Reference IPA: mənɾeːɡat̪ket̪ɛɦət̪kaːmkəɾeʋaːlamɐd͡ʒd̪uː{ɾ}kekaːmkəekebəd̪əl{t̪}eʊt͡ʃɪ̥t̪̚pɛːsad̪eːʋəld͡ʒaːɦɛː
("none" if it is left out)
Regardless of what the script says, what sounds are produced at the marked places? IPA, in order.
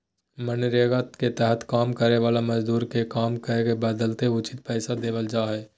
ɾ, t̪

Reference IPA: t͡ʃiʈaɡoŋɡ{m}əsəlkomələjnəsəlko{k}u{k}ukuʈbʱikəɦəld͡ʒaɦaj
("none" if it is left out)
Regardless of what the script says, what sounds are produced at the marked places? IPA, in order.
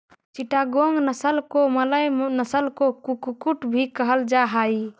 n, k, k

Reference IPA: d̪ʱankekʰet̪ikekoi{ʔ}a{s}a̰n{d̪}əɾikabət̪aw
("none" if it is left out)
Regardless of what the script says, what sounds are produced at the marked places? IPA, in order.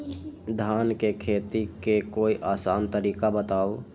ʔ, s, t̪

